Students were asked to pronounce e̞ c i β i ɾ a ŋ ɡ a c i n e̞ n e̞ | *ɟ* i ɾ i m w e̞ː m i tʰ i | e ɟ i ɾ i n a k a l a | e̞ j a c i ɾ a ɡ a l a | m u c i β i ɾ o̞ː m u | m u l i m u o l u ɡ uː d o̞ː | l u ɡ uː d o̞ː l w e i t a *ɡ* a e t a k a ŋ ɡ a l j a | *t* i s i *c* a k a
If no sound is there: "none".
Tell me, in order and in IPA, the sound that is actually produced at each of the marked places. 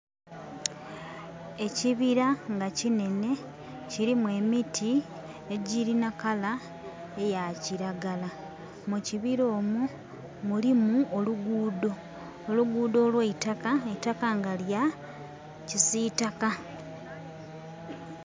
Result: c, k, c, t

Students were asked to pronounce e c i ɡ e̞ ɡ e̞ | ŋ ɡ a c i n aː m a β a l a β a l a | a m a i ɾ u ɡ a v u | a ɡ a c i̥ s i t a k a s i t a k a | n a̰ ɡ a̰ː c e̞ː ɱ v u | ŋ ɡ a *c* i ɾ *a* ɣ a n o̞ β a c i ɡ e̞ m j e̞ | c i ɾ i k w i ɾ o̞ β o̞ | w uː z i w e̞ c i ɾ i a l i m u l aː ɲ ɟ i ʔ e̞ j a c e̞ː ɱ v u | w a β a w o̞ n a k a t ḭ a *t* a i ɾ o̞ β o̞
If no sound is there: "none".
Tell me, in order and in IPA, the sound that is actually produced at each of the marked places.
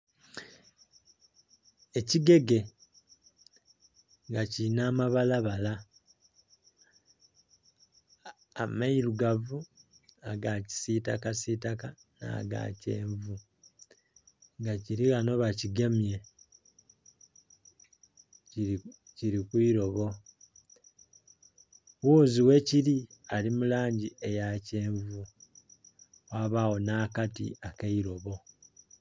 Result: c, i, k

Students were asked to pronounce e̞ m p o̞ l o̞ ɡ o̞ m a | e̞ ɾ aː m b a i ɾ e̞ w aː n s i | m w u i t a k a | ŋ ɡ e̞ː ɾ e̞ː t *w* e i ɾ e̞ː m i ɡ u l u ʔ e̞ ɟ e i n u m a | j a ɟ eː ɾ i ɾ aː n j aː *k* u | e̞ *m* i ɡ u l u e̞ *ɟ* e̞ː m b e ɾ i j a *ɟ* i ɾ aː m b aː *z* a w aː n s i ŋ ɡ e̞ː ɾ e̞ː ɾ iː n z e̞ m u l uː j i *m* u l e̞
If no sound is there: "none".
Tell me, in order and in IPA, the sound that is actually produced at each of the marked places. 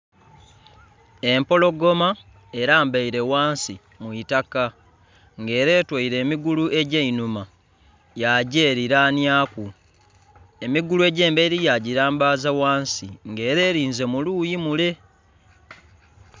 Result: w, k, m, ɟ, ɟ, z, m

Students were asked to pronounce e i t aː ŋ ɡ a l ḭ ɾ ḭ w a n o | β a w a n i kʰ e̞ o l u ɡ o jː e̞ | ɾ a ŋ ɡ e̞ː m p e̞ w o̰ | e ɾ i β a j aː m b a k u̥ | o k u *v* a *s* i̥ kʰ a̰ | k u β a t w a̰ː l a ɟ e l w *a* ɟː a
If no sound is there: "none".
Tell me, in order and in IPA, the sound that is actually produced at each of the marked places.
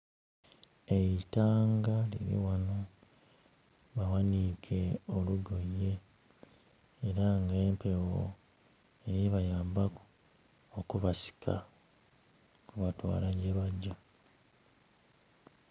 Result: β, s, a

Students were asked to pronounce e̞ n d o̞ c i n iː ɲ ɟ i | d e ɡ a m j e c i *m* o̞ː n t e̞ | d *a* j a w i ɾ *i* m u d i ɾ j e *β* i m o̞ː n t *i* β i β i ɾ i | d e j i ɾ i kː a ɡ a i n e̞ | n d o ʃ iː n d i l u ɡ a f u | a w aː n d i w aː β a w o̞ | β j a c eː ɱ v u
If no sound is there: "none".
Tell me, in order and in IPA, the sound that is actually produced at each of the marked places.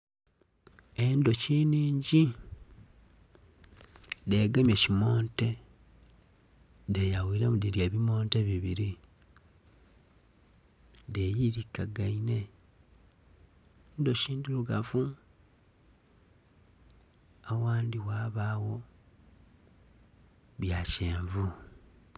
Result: m, e, e, β, e

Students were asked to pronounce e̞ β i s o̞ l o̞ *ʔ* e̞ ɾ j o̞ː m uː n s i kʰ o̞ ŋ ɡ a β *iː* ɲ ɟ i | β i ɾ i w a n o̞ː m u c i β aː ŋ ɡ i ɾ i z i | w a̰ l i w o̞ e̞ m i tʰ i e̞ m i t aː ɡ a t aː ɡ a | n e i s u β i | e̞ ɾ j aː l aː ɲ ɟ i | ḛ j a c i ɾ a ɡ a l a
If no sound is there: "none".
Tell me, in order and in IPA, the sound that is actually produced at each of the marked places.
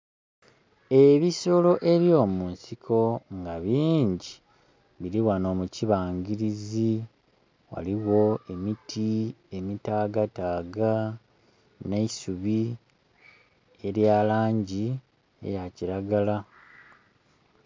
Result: ʔ, iː

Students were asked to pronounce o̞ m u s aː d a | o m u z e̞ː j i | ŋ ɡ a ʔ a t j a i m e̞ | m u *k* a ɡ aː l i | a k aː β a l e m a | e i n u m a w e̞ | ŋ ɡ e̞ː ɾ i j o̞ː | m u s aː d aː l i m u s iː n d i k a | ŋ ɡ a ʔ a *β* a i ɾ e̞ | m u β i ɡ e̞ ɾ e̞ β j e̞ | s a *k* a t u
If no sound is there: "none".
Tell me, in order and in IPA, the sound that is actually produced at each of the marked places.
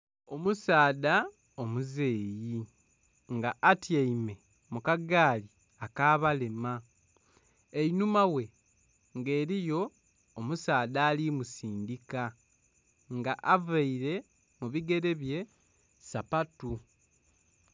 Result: k, v, p

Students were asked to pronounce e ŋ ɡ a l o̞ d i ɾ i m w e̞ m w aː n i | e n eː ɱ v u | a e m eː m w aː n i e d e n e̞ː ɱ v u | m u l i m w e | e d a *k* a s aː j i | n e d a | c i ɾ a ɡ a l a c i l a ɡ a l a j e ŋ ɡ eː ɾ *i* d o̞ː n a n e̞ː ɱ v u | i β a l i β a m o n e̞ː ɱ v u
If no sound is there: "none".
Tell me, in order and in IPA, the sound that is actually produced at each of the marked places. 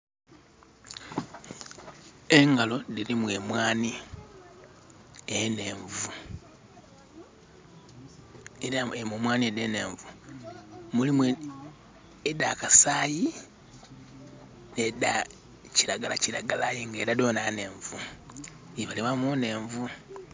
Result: k, a

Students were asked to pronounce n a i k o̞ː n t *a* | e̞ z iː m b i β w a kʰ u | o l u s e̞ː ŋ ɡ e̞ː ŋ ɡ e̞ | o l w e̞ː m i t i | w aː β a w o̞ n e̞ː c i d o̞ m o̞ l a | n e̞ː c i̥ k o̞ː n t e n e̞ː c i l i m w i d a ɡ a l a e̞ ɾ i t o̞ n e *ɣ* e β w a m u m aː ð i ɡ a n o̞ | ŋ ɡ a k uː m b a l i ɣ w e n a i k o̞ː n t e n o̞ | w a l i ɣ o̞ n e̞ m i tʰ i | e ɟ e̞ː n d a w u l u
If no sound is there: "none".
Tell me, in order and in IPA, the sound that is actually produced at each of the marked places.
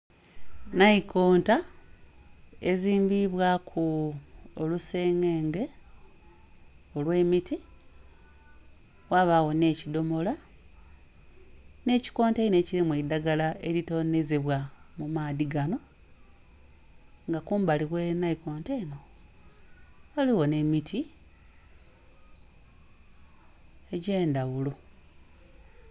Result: a, z

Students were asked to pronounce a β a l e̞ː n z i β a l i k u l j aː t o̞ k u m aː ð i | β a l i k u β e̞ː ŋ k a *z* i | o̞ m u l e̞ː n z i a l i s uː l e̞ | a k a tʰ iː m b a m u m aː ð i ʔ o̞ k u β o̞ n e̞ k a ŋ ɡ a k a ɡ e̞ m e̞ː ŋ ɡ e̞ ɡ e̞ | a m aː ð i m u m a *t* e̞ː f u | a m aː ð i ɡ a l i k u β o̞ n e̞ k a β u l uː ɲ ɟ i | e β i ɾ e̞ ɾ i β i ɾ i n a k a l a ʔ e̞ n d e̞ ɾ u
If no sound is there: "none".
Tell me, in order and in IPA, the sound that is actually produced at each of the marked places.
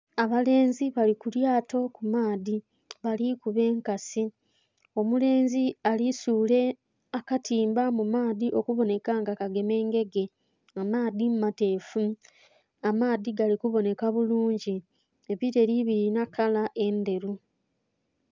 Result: s, t

